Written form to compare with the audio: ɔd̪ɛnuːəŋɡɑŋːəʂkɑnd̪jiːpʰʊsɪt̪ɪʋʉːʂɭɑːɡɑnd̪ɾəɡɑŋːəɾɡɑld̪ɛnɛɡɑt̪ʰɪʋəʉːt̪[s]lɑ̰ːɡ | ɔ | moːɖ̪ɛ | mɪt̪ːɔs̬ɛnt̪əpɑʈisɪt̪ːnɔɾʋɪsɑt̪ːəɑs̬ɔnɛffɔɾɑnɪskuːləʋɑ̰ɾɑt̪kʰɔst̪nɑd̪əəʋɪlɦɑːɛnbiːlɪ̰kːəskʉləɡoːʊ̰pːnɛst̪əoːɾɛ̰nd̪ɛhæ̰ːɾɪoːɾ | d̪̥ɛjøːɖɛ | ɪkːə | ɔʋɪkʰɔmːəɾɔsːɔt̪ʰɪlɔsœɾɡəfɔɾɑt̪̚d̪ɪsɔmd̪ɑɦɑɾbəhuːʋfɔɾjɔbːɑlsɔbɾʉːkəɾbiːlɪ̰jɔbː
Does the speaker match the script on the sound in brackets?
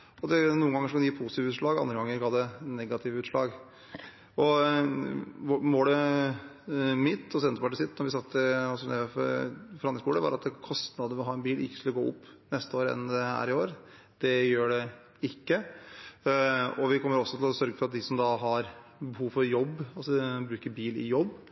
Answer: no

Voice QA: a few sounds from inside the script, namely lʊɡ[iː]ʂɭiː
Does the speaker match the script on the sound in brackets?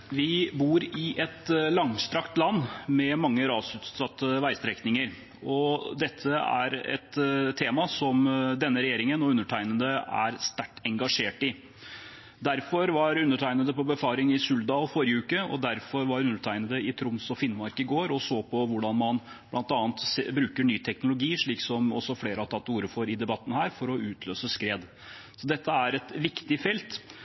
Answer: yes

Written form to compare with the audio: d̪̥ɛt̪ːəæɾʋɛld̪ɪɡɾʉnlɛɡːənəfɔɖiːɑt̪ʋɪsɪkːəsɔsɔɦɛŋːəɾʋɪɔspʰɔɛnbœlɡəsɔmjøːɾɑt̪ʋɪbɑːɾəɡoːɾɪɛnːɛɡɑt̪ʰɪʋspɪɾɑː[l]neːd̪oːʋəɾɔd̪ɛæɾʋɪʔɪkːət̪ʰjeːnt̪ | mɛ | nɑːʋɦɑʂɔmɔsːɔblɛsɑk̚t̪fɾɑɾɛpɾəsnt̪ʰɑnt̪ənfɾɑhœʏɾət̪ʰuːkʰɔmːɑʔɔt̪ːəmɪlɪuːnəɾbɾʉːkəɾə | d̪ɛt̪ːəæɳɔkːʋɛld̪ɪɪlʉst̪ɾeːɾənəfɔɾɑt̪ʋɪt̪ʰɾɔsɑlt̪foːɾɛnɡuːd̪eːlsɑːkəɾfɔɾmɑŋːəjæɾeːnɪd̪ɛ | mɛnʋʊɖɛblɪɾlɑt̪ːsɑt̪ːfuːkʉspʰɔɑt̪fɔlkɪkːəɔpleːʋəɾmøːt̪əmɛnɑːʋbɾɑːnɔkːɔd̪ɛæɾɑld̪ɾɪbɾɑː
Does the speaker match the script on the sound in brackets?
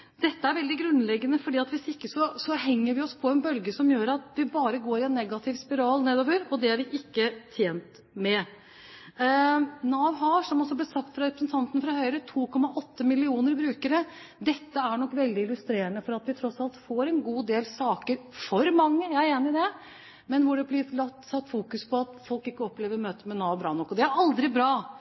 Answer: yes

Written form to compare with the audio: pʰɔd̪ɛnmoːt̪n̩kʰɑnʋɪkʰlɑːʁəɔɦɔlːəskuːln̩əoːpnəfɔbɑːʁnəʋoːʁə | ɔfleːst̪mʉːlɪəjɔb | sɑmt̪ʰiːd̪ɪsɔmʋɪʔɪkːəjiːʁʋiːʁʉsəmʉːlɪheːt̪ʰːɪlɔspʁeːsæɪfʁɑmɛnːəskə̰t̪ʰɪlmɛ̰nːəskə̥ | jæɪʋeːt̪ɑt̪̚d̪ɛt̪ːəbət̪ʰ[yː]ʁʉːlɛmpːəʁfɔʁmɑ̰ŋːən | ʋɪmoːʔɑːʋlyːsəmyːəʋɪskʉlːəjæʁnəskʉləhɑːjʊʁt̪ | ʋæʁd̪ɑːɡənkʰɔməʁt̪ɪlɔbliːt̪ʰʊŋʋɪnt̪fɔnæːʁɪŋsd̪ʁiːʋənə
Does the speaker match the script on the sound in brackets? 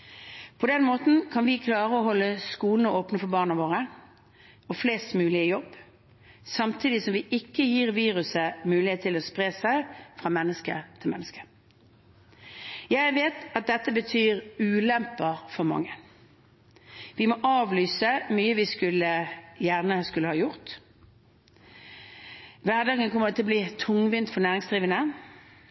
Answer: yes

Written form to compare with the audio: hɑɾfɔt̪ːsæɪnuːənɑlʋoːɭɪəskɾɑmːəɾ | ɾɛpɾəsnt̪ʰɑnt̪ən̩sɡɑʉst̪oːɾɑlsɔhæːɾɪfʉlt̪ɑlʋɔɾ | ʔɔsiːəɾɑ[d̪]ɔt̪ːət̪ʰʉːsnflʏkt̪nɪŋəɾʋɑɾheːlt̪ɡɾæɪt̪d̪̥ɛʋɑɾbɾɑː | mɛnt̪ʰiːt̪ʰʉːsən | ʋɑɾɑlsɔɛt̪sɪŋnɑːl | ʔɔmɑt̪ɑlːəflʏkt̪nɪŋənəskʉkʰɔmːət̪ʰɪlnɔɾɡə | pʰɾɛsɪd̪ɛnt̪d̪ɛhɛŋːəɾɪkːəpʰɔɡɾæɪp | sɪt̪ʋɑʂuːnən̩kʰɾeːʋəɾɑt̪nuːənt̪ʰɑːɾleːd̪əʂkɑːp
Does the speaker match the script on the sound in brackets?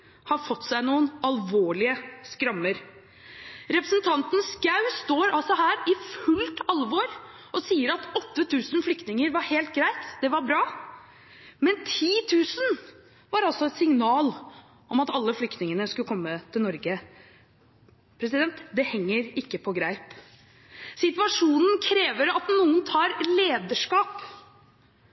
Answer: no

